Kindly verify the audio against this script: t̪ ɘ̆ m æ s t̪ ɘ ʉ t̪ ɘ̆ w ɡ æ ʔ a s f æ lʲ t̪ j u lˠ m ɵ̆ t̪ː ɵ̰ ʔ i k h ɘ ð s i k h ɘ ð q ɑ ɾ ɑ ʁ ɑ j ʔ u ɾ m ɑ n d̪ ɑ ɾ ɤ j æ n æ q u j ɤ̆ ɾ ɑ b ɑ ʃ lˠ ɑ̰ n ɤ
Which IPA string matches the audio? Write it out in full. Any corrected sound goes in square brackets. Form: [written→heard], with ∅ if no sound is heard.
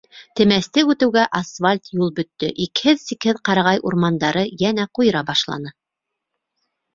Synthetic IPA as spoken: t̪ ɘ̆ m æ s t̪ ɘ ʉ t̪ ɘ̆ w ɡ æ ʔ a s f [æ→a] lʲ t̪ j u lˠ [m→b] ɵ̆ t̪ː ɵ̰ ʔ i k h ɘ ð s i k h ɘ ð q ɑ ɾ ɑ ʁ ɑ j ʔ u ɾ m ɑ n d̪ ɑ ɾ ɤ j æ n æ q u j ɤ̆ ɾ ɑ b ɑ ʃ lˠ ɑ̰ n ɤ